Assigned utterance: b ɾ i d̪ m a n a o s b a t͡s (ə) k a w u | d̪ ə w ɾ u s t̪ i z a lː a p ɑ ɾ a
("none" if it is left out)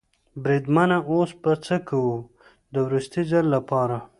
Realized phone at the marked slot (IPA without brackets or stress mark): ə